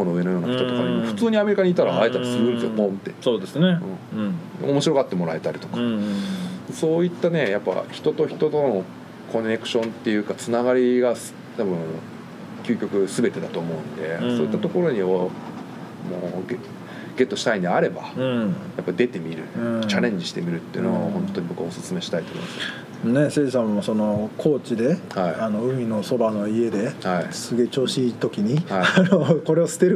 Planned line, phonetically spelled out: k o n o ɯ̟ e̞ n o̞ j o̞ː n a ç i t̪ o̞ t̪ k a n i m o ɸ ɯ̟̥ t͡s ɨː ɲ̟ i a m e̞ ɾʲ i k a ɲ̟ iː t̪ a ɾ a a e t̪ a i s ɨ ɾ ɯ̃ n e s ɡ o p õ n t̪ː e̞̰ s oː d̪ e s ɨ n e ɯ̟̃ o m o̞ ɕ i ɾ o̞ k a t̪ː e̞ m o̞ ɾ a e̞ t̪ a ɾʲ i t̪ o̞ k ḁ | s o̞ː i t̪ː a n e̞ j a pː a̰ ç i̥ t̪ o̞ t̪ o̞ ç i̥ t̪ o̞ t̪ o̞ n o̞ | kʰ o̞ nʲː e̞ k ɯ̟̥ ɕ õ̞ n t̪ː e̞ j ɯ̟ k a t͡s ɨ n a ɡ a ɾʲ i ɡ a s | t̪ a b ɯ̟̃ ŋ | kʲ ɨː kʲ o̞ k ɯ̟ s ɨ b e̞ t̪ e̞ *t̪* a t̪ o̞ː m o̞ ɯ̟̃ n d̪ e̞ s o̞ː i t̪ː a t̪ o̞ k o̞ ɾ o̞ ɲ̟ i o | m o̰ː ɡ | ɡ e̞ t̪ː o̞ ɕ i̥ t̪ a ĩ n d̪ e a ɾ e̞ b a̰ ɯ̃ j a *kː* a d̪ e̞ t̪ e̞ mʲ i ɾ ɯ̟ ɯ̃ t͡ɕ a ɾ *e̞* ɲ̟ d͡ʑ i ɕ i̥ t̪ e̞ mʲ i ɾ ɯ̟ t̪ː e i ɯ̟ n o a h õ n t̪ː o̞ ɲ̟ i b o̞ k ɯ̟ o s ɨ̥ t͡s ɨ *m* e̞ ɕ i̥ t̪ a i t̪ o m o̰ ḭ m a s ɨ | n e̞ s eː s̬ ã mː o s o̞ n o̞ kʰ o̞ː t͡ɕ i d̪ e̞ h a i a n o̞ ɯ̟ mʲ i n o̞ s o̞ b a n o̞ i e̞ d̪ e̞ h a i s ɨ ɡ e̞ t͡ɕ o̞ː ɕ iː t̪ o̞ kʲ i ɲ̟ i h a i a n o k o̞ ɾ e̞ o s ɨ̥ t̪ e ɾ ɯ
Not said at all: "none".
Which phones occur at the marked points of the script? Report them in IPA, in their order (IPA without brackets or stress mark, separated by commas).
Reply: d̪, pː, ẽ̞, m